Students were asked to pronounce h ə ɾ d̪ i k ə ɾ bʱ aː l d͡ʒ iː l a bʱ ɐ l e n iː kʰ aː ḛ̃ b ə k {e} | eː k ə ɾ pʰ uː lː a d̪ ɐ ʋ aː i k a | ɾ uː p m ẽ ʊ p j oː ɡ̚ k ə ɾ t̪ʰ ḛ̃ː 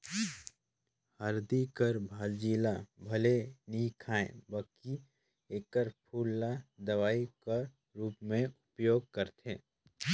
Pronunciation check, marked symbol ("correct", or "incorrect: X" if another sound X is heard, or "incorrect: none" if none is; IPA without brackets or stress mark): incorrect: i